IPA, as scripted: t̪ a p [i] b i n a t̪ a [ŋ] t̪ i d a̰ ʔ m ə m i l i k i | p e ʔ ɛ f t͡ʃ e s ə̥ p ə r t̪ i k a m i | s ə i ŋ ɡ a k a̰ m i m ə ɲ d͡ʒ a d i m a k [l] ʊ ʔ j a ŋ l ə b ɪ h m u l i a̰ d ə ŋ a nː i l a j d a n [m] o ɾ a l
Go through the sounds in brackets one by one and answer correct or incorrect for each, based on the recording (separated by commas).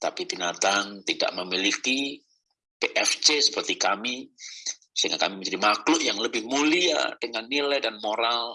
correct, correct, correct, correct